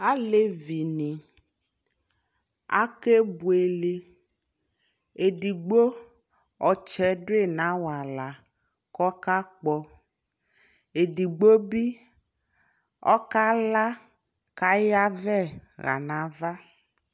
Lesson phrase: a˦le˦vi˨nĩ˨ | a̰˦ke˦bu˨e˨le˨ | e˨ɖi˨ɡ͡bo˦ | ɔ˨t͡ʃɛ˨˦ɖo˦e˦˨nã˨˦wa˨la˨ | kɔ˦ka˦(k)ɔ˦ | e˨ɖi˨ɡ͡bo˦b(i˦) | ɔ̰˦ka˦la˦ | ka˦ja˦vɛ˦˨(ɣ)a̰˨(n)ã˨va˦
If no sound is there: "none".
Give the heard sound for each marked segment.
k͡p, i˦, ɣ, n

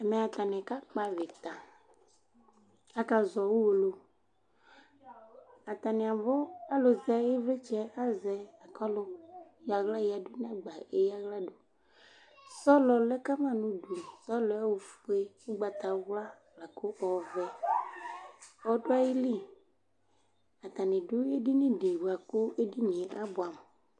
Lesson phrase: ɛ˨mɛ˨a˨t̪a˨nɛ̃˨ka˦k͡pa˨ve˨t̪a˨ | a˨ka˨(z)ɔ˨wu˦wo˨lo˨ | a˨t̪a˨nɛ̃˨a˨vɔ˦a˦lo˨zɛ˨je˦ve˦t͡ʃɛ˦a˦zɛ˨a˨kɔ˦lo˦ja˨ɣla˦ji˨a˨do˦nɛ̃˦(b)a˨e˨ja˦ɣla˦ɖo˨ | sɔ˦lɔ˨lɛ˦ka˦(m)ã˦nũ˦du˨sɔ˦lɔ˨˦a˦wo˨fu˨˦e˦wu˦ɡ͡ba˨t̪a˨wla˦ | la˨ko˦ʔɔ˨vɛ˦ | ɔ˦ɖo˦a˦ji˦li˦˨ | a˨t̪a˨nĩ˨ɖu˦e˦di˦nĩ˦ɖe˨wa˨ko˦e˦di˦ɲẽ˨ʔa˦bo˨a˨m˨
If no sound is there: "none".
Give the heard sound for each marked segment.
z, ɡ͡b, m

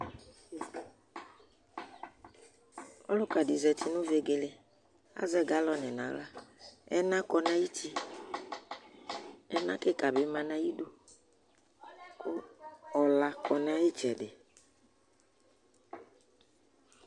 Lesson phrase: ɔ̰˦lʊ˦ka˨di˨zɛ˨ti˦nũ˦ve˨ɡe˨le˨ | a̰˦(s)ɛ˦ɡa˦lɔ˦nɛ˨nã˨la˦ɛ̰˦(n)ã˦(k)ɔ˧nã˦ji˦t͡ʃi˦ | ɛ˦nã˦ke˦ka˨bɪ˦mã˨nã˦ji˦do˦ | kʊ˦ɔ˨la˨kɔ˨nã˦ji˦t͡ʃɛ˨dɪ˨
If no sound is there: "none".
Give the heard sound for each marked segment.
z, n, k

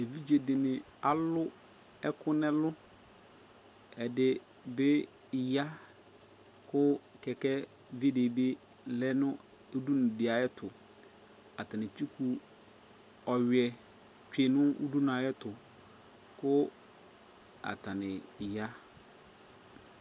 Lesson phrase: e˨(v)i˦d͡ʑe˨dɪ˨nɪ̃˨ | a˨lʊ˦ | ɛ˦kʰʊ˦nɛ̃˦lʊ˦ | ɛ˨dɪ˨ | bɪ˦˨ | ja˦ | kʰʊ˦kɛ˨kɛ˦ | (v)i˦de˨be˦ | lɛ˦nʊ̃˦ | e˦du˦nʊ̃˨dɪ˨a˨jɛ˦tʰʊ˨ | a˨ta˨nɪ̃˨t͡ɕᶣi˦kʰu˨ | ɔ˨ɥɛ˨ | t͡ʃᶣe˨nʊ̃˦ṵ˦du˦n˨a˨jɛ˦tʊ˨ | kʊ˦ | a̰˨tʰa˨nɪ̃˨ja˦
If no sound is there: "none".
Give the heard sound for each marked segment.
v, v

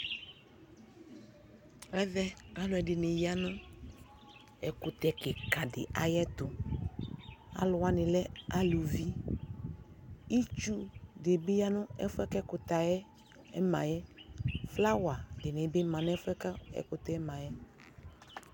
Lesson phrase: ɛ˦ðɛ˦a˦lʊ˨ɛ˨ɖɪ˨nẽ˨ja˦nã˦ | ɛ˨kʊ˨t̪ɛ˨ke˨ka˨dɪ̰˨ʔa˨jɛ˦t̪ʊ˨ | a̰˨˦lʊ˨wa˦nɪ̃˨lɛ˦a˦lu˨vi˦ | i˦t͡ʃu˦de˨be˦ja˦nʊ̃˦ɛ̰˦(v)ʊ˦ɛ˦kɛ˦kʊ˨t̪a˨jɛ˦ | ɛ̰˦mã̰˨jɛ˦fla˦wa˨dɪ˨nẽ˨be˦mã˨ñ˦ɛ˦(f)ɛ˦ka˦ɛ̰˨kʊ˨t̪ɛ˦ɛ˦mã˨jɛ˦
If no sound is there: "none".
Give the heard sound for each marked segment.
f, f

